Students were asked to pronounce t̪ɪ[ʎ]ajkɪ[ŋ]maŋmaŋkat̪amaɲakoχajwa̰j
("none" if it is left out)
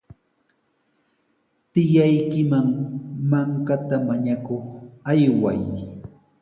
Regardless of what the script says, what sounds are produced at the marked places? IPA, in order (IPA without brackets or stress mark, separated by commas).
j, none